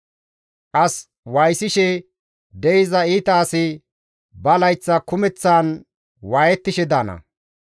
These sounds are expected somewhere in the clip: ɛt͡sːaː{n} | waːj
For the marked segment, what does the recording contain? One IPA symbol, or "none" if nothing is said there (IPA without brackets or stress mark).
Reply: n